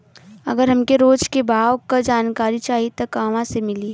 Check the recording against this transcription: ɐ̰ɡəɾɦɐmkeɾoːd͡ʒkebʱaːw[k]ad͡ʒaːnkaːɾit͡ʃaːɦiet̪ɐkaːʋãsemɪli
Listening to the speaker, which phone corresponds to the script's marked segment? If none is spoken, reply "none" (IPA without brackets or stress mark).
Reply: k